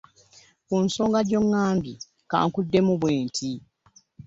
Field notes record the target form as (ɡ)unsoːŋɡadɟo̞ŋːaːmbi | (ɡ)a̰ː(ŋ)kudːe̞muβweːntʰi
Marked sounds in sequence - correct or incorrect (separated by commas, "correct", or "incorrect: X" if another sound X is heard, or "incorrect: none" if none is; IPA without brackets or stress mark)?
incorrect: k, incorrect: k, correct